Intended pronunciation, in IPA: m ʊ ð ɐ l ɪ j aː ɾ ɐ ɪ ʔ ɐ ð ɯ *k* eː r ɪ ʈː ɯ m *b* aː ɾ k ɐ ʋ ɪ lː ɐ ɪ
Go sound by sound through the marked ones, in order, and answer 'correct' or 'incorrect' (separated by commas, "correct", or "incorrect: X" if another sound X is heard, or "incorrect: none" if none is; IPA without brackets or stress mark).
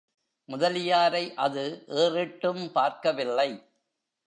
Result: incorrect: ʔ, incorrect: p